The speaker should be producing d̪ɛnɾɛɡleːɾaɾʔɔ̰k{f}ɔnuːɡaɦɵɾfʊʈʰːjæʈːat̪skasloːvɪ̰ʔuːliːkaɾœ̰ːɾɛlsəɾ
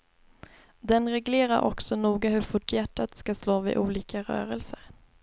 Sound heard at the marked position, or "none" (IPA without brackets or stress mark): s